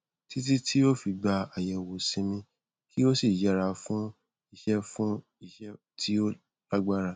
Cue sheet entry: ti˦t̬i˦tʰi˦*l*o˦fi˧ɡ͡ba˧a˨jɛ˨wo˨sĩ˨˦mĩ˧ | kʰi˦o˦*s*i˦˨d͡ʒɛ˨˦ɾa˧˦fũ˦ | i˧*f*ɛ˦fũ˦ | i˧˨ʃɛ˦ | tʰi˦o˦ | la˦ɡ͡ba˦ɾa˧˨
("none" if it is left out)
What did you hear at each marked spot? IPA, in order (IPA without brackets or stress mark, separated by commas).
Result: none, s, ʃ